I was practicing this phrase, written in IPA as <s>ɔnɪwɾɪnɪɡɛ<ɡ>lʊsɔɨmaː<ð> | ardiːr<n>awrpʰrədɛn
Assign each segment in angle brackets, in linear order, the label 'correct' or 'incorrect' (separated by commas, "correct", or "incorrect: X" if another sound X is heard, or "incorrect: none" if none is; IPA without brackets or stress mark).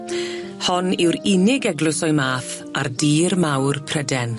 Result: incorrect: h, correct, incorrect: θ, incorrect: m